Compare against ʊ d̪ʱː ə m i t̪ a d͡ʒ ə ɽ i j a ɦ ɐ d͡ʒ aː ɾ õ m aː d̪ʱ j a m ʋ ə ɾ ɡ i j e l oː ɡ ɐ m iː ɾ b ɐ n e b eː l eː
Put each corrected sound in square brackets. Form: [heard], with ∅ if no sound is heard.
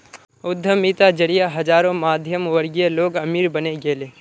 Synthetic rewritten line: ʊ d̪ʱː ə m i t̪ a d͡ʒ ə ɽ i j a ɦ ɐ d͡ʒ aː ɾ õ m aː d̪ʱ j [ə] m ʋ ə ɾ ɡ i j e l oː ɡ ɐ m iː ɾ b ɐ n e [ɡ] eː l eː